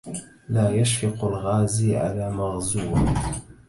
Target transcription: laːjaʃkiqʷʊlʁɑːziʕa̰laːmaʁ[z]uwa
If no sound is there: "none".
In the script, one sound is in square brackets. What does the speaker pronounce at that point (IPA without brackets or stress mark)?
z